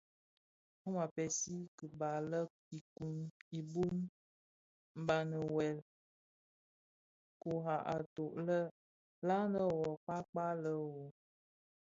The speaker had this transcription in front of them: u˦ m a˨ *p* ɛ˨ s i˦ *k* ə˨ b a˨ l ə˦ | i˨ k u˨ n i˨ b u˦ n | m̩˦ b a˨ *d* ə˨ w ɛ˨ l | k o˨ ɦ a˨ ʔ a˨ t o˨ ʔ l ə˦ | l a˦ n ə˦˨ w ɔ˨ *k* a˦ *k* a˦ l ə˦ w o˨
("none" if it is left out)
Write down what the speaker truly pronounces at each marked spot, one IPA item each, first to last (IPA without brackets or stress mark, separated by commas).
p, k, n, k͡p, k͡p